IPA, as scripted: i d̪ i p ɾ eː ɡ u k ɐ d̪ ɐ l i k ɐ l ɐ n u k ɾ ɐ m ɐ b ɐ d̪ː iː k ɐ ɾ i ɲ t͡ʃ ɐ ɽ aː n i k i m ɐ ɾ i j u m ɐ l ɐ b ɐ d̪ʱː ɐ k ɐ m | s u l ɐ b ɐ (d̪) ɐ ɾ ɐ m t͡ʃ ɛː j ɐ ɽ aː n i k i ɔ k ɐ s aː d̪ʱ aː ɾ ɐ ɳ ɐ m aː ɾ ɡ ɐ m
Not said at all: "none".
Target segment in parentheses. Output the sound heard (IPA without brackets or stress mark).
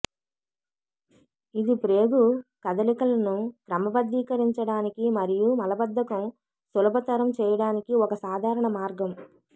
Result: t̪